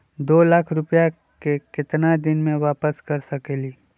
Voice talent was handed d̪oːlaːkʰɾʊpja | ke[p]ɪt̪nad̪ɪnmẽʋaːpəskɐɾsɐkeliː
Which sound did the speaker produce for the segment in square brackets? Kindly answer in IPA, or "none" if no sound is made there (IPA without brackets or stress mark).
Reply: k